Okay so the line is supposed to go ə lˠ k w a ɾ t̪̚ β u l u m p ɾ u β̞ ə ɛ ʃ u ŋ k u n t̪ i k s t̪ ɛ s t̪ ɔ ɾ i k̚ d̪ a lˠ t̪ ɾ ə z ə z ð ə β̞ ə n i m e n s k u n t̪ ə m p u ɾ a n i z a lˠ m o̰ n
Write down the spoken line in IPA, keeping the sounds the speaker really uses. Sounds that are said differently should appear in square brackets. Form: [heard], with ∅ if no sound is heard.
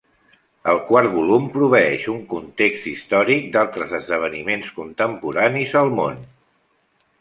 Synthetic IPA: ə lˠ k w a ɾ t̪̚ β u l u m p ɾ u β̞ ə ɛ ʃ u ŋ k u n t̪ [e] k s t̪ [i] s t̪ ɔ ɾ i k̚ d̪ a lˠ t̪ ɾ ə z ə z ð ə β̞ ə n i m e n s k u n t̪ ə m p u ɾ a n i z [ə] lˠ m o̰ n

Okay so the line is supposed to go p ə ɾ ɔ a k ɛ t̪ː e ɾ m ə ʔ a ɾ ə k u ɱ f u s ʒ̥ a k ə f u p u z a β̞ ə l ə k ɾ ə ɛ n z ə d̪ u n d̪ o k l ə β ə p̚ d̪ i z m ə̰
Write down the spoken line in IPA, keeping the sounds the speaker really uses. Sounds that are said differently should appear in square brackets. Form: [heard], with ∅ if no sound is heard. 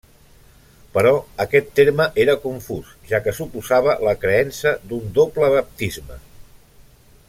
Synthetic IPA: p ə ɾ ɔ [ə] k ɛ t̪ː e ɾ m ə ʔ [e] ɾ ə k u ɱ f u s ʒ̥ a k ə [s] u p u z a β̞ ə l ə k ɾ ə ɛ n [s] ə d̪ u n d̪ o [p] l ə β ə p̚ [t̪] i z m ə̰

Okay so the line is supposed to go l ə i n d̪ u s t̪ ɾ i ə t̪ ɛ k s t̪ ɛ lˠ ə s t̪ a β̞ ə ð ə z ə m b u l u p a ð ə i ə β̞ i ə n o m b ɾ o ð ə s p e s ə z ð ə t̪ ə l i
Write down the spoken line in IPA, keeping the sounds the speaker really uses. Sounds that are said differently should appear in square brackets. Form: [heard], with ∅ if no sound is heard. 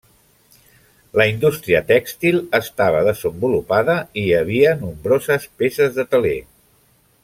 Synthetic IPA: l ə i n d̪ u s t̪ ɾ i ə t̪ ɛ k s t̪ [i] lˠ ə s t̪ a β̞ ə ð ə z ə m b u l u p a ð ə i ə β̞ i ə n [u] m b ɾ o [z] ə s p e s ə z ð ə t̪ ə l [e]

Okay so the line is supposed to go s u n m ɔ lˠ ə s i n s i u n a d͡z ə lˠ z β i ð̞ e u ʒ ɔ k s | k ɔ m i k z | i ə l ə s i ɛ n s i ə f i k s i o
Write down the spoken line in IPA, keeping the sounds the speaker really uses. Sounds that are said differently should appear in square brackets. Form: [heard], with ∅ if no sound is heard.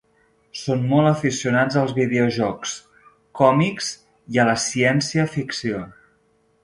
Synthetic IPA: s [o] n m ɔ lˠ ə [f] i [∅] s i u n a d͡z ə lˠ z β i ð̞ e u ʒ ɔ k s | k ɔ m i k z | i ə l ə s i ɛ n s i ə f i k s i o

